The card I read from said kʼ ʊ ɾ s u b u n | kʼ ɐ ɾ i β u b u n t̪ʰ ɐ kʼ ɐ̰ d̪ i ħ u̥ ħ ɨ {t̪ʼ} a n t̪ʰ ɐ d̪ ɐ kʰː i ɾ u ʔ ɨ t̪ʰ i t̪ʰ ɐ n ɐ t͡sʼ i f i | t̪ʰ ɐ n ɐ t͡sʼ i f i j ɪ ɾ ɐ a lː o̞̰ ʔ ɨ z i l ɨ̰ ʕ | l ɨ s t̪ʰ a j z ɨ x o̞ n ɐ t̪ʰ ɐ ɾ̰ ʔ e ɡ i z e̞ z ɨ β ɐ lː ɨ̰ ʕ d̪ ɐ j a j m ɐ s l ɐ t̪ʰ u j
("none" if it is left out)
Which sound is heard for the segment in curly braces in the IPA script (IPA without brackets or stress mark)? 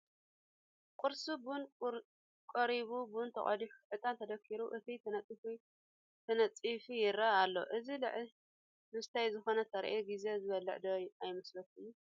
t̪ʼ